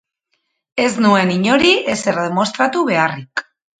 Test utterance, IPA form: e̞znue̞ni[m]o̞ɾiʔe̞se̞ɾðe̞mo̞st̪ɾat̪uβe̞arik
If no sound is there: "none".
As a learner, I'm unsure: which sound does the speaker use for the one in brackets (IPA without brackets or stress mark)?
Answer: ɲ